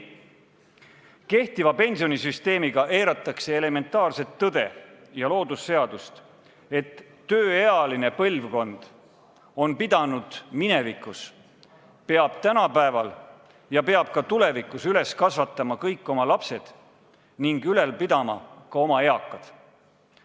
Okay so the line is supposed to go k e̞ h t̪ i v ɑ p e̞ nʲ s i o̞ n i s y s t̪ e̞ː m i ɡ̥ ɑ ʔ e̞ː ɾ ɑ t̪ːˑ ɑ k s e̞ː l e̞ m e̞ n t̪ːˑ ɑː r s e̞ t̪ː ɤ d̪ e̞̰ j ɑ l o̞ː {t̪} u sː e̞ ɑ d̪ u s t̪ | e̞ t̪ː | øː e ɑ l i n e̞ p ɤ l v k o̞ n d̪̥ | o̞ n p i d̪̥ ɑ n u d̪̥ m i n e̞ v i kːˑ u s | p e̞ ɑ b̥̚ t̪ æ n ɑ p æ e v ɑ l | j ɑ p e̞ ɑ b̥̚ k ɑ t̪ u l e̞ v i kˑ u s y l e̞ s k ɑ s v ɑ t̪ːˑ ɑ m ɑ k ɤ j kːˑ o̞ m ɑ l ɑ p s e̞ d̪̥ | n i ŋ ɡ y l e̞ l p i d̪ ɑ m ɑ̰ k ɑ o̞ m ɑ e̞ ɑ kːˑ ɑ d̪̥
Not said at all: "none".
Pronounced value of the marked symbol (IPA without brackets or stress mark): d̪